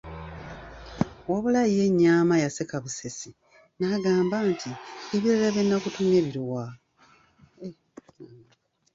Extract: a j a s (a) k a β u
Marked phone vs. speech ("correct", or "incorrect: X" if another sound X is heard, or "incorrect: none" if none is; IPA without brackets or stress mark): incorrect: e